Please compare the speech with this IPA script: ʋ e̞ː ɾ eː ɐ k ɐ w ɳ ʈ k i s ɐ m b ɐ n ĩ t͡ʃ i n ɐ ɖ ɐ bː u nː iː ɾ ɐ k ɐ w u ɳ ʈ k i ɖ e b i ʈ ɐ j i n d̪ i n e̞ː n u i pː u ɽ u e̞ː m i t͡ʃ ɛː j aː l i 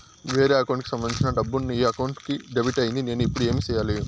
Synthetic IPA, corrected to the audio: ʋ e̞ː ɾ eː ɐ k ɐ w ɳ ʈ k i s ɐ m b ɐ n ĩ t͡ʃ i n ɐ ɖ ɐ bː u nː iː ɐ k ɐ w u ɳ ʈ k i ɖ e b i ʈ ɐ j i n d̪ i n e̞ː n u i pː u ɽ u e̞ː m i t͡ʃ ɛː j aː l i